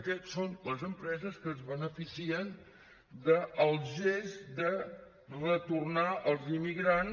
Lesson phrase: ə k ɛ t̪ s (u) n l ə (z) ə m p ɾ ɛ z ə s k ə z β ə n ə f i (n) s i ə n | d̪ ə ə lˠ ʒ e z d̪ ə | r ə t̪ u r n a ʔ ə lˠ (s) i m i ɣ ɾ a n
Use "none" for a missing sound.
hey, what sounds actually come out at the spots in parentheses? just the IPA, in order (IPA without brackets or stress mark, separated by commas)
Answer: o, z, none, z